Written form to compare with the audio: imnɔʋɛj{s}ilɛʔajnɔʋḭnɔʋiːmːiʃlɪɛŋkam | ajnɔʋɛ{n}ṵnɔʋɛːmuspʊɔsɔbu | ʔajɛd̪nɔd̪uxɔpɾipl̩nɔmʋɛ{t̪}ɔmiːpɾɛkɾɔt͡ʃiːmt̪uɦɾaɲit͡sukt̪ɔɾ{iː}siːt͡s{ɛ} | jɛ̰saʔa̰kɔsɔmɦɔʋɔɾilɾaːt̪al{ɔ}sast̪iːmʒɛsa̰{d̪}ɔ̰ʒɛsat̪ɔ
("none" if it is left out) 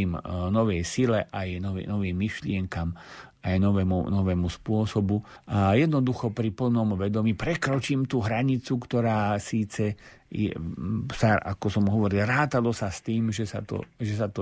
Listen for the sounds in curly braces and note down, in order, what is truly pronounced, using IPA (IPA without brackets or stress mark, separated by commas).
s, m, d̪, aː, ɛ, ɔ, t̪